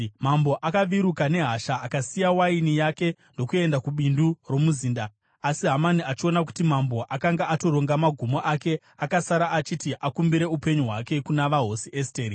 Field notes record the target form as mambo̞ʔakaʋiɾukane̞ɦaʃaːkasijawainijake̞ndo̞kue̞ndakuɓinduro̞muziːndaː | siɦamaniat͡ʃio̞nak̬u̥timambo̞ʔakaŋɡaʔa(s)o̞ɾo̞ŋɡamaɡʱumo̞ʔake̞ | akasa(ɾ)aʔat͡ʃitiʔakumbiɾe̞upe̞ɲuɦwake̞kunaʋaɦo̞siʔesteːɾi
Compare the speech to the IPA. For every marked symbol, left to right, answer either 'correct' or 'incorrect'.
incorrect: t, correct

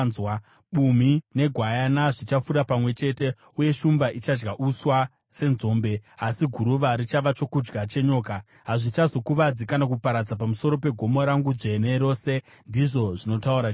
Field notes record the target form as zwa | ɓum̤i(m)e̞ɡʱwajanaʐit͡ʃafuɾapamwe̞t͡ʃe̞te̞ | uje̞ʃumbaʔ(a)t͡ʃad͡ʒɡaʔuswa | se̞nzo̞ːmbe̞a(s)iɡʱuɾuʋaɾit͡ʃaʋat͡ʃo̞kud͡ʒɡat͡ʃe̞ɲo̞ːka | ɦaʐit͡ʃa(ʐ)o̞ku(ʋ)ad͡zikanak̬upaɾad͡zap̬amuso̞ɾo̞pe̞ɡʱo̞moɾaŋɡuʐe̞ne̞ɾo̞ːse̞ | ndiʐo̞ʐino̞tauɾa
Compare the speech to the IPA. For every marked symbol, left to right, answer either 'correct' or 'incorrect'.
incorrect: n, incorrect: i, correct, incorrect: z, correct

